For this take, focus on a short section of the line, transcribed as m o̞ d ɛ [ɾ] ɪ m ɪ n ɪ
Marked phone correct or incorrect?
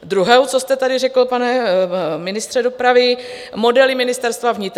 incorrect: l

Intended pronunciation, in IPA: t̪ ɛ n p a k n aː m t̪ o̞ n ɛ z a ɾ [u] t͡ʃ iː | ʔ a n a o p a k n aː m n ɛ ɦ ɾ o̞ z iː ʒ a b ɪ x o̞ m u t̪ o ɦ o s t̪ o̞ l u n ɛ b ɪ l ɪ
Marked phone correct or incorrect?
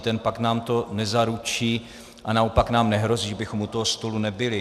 correct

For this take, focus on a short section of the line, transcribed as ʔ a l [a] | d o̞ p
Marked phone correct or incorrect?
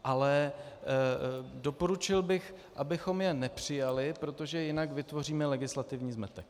incorrect: ɛ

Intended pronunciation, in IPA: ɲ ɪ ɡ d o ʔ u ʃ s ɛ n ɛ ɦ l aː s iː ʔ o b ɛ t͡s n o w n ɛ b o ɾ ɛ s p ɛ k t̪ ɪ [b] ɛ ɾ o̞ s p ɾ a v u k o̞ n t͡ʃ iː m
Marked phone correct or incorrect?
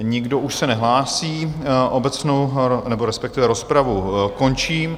incorrect: v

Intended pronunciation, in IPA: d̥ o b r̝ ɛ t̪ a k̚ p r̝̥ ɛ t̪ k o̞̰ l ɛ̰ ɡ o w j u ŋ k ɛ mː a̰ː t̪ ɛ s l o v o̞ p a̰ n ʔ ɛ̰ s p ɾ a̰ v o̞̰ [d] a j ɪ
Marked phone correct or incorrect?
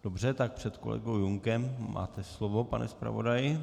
correct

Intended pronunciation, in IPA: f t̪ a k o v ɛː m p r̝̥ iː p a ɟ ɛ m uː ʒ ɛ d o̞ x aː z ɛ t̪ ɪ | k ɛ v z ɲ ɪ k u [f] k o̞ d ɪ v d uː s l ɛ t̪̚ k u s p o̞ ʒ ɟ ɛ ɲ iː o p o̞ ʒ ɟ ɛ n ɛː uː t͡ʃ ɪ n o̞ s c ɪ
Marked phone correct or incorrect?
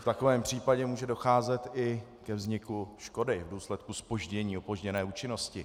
incorrect: ʃ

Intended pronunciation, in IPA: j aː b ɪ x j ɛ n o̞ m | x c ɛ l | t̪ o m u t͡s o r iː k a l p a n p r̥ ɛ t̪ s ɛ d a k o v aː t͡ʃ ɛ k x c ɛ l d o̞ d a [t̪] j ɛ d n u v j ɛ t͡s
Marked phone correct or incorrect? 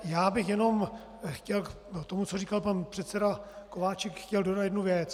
correct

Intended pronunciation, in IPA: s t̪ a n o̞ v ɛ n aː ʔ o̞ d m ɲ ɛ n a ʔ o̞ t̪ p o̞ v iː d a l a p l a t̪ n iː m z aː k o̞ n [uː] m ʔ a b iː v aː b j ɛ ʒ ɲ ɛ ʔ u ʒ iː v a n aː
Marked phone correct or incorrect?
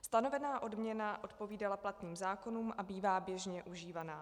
correct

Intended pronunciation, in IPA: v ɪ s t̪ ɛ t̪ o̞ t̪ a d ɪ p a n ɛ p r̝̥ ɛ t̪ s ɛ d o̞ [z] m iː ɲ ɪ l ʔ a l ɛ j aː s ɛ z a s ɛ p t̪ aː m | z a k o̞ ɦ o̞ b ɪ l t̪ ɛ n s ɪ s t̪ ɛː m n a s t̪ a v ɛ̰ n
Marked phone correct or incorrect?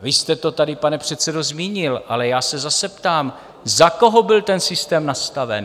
correct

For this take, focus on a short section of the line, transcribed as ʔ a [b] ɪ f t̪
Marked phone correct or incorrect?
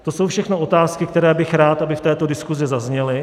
correct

